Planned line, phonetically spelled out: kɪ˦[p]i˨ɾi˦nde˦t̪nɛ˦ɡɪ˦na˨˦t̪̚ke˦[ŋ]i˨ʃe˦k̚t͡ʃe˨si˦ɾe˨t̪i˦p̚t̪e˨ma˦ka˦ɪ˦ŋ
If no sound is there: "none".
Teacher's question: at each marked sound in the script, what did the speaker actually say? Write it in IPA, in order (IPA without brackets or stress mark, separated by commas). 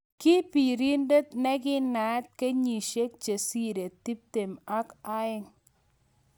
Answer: p, ɲ